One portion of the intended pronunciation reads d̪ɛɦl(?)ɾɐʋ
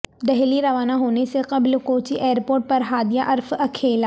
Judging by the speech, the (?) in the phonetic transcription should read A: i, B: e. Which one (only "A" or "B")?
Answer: A